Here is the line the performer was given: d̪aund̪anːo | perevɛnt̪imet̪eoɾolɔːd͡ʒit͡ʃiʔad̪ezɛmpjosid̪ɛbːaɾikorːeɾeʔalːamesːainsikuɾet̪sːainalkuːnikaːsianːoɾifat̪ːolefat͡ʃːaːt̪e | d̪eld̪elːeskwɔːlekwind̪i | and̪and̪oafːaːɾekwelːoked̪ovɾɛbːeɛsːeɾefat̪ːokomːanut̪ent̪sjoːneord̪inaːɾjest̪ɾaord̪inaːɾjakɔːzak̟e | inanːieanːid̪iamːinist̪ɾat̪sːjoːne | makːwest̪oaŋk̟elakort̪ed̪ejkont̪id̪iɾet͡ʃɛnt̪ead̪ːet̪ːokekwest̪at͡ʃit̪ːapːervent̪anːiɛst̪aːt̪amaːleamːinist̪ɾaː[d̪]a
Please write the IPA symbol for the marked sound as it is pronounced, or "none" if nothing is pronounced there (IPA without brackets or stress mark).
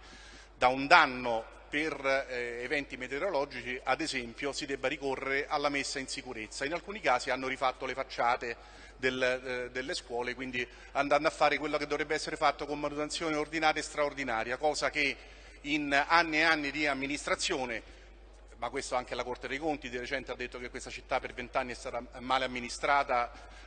t̪